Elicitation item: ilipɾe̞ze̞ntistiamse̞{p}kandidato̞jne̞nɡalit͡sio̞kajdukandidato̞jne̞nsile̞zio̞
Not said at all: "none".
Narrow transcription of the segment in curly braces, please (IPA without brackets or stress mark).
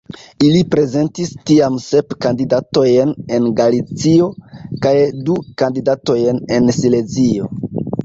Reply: p